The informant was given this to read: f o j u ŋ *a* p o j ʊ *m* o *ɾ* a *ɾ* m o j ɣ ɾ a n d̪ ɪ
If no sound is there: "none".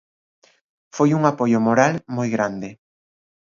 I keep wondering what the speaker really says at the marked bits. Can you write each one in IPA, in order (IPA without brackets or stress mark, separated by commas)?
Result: a, m, ɾ, l